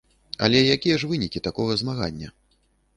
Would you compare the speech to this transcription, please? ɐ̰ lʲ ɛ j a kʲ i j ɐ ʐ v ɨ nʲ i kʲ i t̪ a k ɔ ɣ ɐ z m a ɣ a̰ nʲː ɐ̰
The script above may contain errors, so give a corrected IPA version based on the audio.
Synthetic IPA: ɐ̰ lʲ ɛ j a kʲ i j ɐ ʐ v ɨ nʲ i kʲ i t̪ a k ɔ ɣ ɐ z m a ɣ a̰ nʲː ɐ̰